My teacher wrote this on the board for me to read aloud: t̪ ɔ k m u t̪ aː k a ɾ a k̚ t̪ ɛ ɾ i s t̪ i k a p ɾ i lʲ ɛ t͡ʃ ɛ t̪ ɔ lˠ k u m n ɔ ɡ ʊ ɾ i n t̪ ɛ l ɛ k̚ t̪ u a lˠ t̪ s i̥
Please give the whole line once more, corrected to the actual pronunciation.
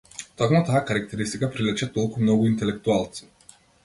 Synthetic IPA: t̪ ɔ k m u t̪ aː k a ɾ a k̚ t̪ ɛ ɾ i s t̪ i k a p ɾ i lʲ ɛ t͡ʃ ɛ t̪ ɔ lˠ k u m n ɔ ɡ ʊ i n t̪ ɛ l ɛ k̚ t̪ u a lˠ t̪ s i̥